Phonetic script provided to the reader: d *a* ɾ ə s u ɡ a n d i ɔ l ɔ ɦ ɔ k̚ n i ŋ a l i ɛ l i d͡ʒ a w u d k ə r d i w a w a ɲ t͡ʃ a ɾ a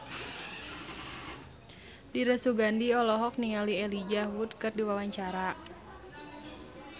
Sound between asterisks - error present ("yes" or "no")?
yes